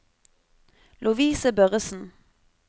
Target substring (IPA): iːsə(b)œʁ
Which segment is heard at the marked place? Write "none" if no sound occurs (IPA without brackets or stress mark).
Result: b